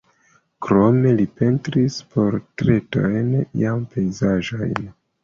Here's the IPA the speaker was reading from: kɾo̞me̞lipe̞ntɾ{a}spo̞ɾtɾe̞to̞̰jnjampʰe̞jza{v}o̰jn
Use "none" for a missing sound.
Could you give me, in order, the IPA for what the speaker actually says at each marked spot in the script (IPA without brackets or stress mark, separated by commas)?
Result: i, ʒ